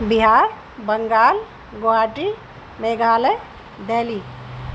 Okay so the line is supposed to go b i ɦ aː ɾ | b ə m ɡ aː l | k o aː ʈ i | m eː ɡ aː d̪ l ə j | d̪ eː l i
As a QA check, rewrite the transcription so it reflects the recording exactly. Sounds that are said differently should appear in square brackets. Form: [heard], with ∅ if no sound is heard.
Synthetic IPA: b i ɦ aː ɾ | b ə [ŋ] ɡ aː l | [ɡ] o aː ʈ i | m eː ɡ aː [∅] l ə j | d̪ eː l i